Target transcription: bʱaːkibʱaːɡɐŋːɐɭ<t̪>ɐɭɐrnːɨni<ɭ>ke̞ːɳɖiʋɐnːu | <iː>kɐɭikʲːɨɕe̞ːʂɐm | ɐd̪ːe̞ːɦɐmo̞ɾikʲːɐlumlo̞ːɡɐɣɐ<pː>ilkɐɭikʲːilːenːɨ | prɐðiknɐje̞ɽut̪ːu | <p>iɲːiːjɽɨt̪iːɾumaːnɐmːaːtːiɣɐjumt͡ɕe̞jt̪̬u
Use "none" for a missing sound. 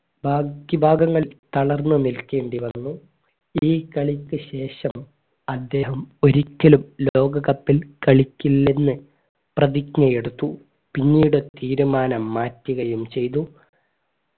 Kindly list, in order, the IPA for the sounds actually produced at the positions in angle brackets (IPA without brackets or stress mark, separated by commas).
t̪, l, iː, pː, p